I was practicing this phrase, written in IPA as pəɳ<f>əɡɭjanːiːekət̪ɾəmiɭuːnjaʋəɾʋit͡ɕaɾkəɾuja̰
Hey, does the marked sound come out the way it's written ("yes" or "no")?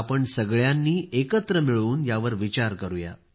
no